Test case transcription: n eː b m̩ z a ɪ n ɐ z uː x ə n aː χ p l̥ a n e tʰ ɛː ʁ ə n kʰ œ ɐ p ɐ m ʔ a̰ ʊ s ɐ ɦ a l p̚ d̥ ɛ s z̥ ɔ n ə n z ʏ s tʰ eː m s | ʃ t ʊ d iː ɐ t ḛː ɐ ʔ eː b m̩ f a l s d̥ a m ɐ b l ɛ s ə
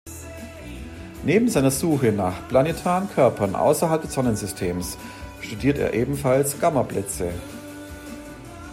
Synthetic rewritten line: n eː b m̩ z a ɪ n ɐ z uː x ə n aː χ p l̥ a n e tʰ aː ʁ ə n kʰ œ ɐ p ɐ n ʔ a̰ ʊ s ɐ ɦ a l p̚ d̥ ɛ s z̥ ɔ n ə n z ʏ s tʰ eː m s | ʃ t u d iː ɐ t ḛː ɐ ʔ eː b m̩ f a l s ɡ̥ a m ɐ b l ɛ t͡s ə